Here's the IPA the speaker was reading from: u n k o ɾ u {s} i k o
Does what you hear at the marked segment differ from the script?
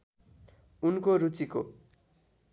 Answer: yes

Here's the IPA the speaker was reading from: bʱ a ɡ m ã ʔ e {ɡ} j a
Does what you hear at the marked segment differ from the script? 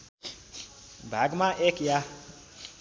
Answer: yes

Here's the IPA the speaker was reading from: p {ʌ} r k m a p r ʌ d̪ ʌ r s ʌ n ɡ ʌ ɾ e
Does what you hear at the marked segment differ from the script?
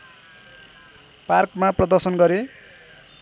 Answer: yes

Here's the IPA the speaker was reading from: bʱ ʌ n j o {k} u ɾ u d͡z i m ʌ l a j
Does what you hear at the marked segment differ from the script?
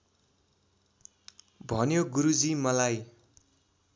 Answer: yes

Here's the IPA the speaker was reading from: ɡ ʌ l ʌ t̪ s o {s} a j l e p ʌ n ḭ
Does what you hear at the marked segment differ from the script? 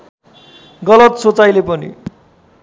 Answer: yes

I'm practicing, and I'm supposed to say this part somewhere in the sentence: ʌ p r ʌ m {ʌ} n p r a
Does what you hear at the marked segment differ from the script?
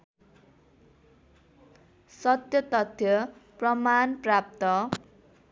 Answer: yes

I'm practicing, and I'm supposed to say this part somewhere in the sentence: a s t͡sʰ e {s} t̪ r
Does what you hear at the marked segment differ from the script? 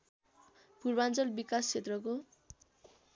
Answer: yes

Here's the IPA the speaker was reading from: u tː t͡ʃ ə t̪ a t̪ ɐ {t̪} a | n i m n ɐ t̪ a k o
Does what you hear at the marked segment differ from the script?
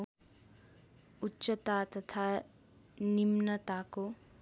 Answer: yes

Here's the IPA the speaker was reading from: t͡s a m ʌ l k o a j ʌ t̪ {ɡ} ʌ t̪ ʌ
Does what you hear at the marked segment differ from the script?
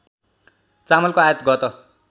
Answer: no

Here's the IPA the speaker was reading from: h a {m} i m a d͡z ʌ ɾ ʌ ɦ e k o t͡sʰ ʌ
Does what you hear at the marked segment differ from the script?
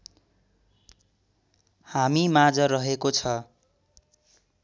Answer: no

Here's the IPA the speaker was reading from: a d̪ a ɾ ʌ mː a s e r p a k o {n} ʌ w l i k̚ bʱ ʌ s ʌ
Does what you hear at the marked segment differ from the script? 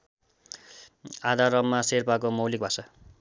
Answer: yes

